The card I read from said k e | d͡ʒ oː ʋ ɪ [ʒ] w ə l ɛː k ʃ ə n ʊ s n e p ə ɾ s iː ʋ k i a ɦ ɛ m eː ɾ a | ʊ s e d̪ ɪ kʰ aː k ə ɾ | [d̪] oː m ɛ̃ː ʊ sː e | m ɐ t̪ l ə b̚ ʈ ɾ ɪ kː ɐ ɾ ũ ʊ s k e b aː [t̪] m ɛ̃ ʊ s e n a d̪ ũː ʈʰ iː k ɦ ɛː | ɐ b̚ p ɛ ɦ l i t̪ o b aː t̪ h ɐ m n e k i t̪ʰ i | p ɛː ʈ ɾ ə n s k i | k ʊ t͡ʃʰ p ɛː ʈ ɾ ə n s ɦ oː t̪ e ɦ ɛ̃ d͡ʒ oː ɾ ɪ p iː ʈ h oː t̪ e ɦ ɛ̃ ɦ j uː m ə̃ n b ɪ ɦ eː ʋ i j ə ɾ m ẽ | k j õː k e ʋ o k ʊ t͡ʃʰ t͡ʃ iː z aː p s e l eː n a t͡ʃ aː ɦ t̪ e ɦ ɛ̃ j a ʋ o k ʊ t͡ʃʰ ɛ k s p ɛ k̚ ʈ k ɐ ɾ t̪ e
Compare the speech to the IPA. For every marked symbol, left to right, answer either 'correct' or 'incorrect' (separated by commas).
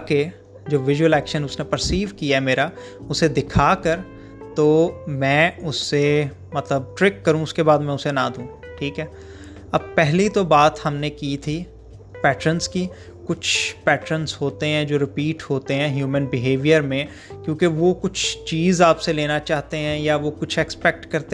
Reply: correct, incorrect, incorrect